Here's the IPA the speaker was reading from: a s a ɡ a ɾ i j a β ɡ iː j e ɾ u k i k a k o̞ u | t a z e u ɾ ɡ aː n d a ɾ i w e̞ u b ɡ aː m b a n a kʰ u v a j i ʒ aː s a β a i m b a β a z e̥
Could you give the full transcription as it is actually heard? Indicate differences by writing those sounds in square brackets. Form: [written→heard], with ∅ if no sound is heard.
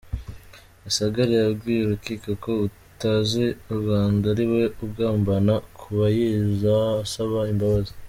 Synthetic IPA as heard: a s a ɡ a ɾ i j a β ɡ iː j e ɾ u k i k a k o̞ u | t a z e u ɾ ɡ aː n d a ɾ i w e̞ u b ɡ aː m b a n a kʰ u [v→β] a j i [ʒ→z] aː s a β a i m b a β a z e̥